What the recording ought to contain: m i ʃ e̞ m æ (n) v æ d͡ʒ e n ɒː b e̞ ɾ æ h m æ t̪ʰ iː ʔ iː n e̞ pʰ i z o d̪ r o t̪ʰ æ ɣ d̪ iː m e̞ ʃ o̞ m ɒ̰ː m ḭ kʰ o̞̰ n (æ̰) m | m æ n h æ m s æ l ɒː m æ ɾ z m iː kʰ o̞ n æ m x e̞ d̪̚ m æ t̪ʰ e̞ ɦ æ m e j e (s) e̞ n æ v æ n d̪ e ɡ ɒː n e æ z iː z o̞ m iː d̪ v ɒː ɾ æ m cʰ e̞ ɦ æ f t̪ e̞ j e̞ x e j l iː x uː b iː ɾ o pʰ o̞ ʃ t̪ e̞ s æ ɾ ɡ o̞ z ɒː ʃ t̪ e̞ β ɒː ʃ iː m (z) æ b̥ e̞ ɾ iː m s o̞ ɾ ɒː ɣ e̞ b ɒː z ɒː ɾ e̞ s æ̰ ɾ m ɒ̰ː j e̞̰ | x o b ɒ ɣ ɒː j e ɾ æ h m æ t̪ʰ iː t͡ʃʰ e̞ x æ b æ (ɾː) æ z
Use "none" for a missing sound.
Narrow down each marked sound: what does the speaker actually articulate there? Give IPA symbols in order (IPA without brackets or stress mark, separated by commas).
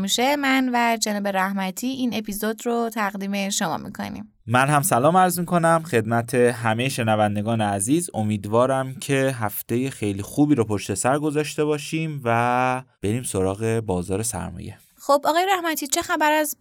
n, ḭ, ʃ, v, ɾ